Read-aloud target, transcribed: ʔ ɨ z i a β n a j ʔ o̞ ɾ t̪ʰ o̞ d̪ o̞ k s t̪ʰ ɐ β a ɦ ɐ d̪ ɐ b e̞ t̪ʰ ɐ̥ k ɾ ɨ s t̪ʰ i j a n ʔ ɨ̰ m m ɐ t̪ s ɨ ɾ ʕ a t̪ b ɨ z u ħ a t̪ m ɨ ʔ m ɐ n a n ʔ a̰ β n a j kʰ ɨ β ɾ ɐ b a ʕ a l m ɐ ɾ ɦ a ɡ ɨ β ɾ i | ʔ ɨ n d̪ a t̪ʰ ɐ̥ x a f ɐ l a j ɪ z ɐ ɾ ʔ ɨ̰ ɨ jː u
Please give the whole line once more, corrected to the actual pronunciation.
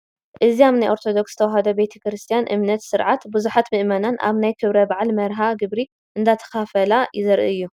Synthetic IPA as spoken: ʔ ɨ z i a β n a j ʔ o̞ ɾ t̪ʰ o̞ d̪ o̞ k s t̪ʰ ɐ w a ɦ ɐ d̪ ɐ b e̞ t̪ʰ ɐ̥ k ɾ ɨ s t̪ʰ i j a n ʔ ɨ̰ m n ɐ t̪ s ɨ ɾ ʕ a t̪ b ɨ z u ħ a t̪ m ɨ ʔ m ɐ n a n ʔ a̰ β n a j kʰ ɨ β ɾ ɐ b a ʕ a l m ɐ ɾ ɦ a ɡ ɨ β ɾ i | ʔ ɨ n d̪ a t̪ʰ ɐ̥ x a f ɐ l a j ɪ z ɐ ɾ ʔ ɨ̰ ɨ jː u